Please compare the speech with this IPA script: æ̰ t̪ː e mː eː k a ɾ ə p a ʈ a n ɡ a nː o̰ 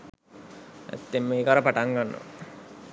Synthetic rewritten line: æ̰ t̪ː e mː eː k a ɾ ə p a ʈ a ŋ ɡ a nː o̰

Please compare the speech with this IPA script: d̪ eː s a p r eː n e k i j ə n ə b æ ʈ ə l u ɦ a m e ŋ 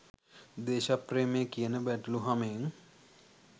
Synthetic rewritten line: d̪ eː ʃ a p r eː m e k i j ə n ə b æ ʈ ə l u ɦ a m e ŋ

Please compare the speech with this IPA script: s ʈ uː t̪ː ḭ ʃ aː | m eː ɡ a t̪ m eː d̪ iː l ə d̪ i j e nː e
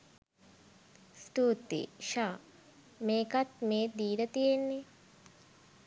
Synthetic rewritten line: s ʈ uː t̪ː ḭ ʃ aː | m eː k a t̪ m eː d̪ iː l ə t̪ i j e nː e

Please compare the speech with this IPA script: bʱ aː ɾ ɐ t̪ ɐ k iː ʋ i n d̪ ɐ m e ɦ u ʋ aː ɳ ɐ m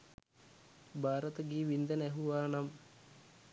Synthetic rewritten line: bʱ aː ɾ ɐ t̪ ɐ ɡ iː ʋ i n d̪ ɐ n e ɦ u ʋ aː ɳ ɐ m

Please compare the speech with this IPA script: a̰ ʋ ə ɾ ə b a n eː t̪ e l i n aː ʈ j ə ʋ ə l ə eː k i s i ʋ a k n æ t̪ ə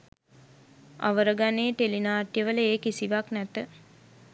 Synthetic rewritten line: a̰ ʋ ə ɾ ə ɡ a n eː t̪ e l i n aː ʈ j ə ʋ ə l ə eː k i s i ʋ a k n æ t̪ ə

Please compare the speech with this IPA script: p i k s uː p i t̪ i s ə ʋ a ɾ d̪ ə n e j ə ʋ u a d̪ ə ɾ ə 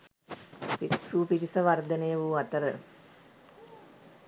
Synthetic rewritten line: p i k s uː p i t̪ i s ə ʋ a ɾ d̪ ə n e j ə ʋ u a t̪ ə ɾ ə

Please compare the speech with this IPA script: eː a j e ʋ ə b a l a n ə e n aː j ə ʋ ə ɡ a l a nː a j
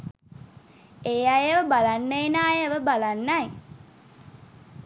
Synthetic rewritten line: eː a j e ʋ ə b a l a nː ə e n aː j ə ʋ ə b a l a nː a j

